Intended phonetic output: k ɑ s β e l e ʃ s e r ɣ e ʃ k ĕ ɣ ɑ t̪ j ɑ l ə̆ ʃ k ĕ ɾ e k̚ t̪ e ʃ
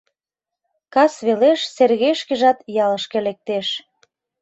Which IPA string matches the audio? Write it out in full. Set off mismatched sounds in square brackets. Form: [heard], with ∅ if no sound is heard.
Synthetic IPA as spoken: k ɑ s β e l e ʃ s e r ɣ e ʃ k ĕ [ʒ] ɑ t̪ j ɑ l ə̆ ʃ k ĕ [l] e k̚ t̪ e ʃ